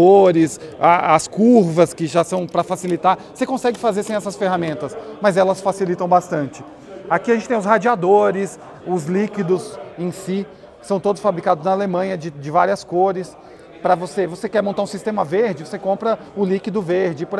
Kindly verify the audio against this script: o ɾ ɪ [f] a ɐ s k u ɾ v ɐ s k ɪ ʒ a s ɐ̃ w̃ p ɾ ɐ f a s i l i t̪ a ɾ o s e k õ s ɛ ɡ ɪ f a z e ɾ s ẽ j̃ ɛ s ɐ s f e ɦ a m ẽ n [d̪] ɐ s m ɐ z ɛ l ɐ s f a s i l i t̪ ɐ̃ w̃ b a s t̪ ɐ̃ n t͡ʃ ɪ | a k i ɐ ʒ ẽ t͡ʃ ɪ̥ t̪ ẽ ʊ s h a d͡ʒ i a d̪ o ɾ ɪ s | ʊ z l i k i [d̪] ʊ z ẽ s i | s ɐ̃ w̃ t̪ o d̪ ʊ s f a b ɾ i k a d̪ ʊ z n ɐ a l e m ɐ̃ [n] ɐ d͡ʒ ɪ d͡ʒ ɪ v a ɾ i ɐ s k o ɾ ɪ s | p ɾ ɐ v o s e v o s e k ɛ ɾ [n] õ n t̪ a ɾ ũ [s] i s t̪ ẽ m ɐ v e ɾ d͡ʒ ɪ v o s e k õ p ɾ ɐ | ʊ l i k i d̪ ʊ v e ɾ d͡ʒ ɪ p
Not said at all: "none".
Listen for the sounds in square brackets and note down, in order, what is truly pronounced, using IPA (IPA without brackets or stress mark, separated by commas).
s, t̪, d̪, ɲ, m, s